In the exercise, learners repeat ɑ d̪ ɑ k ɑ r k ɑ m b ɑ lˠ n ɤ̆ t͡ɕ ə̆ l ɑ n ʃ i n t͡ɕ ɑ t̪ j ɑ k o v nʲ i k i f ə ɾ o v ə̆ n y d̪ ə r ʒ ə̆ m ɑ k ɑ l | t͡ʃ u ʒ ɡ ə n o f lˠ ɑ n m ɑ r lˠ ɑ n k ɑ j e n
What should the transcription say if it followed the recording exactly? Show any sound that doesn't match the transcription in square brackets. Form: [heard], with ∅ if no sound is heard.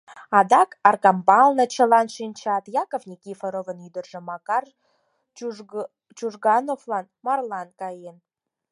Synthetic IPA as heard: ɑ d̪ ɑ k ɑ r k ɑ m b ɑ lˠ n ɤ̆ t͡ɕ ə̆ l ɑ n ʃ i n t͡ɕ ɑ t̪ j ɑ k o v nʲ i k i f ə ɾ o v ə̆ n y d̪ ə r ʒ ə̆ m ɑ k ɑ [r] | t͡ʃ u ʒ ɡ [ɑ] n o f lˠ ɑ n m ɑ r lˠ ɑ n k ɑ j e n